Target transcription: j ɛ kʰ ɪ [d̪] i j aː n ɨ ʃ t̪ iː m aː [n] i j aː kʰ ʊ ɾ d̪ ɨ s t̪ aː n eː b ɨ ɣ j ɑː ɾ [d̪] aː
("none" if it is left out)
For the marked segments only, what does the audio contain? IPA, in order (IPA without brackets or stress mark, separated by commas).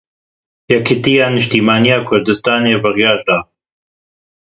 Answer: t̪, n, d̪